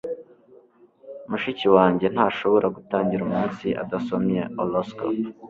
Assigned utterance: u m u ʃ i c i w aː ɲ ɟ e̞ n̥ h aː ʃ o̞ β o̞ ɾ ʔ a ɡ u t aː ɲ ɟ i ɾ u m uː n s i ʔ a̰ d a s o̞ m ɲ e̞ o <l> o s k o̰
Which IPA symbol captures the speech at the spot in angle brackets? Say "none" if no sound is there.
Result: l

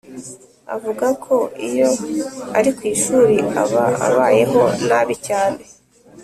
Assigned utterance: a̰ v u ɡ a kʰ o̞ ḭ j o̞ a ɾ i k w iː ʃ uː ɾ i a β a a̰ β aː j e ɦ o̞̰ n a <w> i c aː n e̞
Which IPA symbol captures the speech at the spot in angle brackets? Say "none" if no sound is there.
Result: β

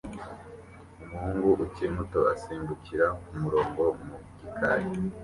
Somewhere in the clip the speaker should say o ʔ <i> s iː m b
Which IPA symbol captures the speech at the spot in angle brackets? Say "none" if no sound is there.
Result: a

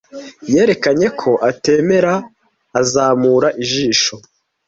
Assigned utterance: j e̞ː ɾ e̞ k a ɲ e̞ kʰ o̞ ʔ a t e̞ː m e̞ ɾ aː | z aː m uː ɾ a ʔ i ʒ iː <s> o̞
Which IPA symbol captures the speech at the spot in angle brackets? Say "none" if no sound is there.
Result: ʃ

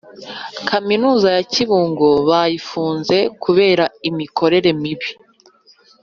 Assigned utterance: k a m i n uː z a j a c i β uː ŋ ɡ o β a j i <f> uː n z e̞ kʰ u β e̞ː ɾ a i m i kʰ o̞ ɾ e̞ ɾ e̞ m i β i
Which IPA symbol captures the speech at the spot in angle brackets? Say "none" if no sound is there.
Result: f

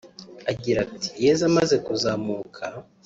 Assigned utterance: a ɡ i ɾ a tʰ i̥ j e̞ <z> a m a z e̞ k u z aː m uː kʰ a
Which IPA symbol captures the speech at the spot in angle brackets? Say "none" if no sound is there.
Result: z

